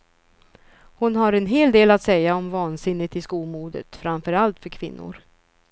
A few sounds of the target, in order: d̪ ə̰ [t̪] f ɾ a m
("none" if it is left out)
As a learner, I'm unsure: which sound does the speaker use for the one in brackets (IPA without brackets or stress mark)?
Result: t̪